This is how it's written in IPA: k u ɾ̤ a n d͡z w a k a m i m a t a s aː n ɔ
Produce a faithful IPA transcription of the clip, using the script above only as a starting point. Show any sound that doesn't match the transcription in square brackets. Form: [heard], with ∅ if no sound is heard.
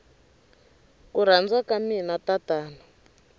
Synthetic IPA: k u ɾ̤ a n d͡z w a k a m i [n] a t a [t] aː n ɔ